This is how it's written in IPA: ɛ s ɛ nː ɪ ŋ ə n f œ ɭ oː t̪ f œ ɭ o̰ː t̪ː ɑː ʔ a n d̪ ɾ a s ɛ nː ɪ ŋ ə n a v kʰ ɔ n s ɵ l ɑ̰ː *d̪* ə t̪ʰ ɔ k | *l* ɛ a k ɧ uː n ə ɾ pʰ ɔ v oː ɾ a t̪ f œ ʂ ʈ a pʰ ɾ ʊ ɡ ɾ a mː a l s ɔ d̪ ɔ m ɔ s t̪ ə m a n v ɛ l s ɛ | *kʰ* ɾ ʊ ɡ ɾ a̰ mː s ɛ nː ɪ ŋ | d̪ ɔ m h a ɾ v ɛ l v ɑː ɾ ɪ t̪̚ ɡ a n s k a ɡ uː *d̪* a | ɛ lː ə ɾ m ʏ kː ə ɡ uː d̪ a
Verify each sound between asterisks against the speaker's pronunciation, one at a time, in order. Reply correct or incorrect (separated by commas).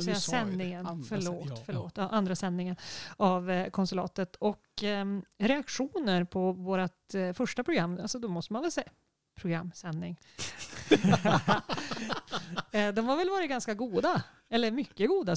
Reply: incorrect, incorrect, incorrect, correct